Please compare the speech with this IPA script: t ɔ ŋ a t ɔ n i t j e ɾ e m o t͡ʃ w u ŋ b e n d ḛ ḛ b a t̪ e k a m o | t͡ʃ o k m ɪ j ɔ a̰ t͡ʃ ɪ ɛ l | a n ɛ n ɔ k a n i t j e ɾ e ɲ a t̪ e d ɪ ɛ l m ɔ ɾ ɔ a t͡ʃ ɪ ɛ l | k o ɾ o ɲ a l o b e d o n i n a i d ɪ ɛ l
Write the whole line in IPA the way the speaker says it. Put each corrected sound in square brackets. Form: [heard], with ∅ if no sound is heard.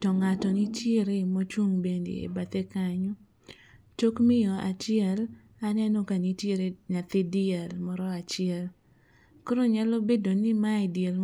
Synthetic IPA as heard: t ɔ ŋ a t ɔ n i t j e ɾ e m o t͡ʃ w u ŋ b e n d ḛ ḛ b a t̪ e k a [ɲ] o | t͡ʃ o k m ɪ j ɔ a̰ t͡ʃ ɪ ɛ l | a n ɛ n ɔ k a n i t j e ɾ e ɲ a t̪ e d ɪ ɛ l m ɔ ɾ ɔ a t͡ʃ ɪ ɛ l | k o ɾ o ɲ a l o b e d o n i [m] a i d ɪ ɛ l